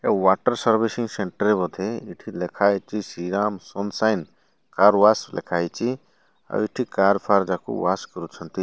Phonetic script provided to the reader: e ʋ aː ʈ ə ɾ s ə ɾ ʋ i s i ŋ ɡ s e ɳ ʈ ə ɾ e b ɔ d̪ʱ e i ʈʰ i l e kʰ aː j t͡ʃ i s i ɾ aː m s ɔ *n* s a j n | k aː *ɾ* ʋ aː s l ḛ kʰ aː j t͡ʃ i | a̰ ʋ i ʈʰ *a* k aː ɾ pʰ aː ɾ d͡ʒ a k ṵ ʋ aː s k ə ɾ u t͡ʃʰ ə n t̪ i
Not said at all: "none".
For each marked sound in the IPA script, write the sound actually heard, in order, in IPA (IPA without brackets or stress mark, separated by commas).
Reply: n, ɾ, i